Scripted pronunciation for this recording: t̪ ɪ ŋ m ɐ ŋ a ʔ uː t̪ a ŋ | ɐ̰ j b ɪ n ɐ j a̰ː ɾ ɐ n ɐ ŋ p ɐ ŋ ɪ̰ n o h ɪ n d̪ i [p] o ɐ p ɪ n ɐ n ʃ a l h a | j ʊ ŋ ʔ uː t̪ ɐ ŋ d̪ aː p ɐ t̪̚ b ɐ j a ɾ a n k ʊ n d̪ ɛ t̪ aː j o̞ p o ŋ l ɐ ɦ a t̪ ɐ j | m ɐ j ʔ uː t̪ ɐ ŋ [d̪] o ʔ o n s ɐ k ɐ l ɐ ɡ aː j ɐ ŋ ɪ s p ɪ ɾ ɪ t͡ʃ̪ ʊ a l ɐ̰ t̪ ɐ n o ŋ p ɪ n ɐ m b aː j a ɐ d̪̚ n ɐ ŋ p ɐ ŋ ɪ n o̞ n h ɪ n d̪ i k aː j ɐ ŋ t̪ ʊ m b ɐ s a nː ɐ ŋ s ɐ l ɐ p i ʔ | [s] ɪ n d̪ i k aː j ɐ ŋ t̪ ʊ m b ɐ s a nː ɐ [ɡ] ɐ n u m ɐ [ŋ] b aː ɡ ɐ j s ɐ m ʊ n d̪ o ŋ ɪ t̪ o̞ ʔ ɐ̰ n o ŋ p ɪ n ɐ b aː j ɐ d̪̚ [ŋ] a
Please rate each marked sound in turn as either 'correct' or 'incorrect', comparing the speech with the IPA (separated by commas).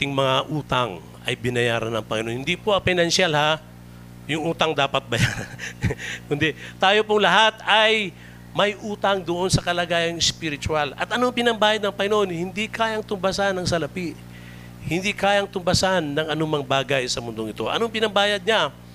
correct, correct, incorrect, incorrect, correct, incorrect